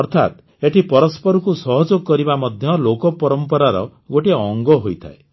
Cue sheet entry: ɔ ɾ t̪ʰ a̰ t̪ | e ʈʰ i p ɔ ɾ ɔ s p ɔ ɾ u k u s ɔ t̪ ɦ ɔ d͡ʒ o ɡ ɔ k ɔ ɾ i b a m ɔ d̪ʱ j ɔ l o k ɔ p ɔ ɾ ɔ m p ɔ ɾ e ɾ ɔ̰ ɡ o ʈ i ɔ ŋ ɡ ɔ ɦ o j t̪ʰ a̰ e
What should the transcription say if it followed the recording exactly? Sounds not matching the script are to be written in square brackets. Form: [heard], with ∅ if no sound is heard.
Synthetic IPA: ɔ ɾ t̪ʰ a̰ t̪ | e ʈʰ i p ɔ ɾ ɔ s p ɔ ɾ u k u s ɔ [∅] ɦ ɔ d͡ʒ o ɡ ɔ k ɔ ɾ i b a m ɔ d̪ʱ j ɔ l o k ɔ p ɔ ɾ ɔ m p ɔ ɾ [a] ɾ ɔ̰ ɡ o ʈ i ɔ ŋ ɡ ɔ ɦ o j t̪ʰ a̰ e